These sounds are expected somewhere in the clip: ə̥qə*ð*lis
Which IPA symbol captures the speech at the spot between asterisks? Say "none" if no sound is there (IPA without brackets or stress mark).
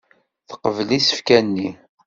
v